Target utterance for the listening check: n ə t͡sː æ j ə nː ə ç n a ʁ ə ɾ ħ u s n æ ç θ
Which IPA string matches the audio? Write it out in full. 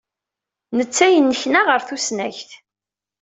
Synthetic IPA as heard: n ə t͡sː æ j ə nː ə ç n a ʁ ə ɾ θ u s n æ ç θ